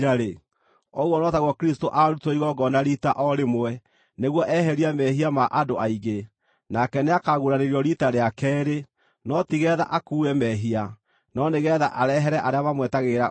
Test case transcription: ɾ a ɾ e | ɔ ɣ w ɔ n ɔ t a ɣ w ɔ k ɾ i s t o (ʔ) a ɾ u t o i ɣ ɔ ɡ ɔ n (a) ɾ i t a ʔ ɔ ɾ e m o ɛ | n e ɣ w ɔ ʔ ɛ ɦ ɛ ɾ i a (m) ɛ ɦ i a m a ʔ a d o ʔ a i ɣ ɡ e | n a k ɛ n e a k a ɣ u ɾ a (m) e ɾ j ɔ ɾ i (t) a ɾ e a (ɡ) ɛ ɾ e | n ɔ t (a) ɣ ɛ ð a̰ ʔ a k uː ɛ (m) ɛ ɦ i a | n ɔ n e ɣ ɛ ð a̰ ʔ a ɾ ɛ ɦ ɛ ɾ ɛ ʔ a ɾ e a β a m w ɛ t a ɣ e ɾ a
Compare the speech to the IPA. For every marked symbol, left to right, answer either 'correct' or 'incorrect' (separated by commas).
correct, correct, correct, incorrect, correct, incorrect, incorrect, correct